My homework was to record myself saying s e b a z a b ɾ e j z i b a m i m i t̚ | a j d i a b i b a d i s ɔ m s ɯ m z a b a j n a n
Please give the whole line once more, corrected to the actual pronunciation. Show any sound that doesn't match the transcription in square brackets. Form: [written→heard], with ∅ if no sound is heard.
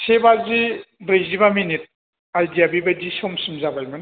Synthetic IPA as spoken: s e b a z [a→i] b ɾ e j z i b a m i [m→n] i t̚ | a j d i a b i b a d i s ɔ m s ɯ m z a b a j [n→m] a n

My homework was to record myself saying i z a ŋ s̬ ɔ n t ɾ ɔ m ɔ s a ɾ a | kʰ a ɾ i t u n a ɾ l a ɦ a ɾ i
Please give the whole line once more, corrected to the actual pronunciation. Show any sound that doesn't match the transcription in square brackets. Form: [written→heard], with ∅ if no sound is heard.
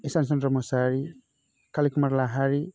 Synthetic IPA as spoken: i [z→s] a [ŋ→n] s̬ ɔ n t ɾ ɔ m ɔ s a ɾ [a→i] | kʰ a [ɾ→l] i [t→k] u [n→m] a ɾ l a ɦ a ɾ i

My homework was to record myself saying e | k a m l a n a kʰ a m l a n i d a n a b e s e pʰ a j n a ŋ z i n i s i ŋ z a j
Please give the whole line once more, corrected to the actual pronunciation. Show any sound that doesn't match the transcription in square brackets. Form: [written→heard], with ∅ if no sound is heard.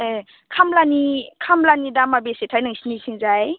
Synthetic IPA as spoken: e | [k→kʰ] a m l a n [a→i] kʰ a m l a n i d a [n→m] a b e s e [pʰ→tʰ] a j n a ŋ [z→s] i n i s i ŋ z a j

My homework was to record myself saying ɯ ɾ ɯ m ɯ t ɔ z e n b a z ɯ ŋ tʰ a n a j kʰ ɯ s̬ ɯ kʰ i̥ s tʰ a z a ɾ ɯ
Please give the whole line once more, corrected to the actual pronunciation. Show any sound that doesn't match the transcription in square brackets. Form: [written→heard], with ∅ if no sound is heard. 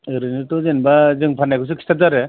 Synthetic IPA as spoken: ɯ ɾ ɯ [m→n] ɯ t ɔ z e n b a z ɯ ŋ [tʰ→pʰ] a n a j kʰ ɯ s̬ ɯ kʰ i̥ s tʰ a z a ɾ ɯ

